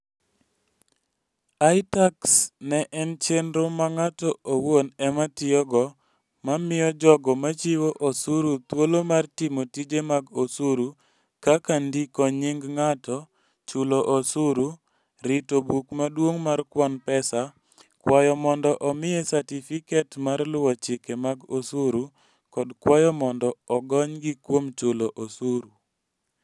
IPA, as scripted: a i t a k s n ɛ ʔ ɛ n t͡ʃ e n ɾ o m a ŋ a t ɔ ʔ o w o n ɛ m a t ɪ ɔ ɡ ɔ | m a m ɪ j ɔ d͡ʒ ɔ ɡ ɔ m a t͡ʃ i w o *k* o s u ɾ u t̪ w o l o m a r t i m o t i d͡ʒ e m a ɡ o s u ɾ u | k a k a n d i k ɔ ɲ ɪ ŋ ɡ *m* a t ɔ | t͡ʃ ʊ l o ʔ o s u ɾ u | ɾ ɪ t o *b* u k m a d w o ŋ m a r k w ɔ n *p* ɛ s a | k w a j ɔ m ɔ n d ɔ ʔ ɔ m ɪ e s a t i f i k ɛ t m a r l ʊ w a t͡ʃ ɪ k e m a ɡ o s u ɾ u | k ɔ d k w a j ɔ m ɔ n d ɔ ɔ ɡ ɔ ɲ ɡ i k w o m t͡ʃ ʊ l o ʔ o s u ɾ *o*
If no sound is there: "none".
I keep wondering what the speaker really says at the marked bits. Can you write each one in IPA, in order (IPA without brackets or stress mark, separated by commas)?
ʔ, ŋ, b, p, u